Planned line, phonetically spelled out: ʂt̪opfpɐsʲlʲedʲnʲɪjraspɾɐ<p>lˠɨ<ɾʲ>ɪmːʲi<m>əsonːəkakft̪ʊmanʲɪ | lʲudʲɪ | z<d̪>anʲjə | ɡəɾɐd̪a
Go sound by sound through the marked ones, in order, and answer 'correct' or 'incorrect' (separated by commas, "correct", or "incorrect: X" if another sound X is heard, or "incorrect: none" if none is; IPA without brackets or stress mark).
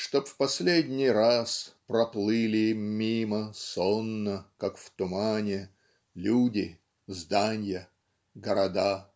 correct, incorrect: lʲ, correct, correct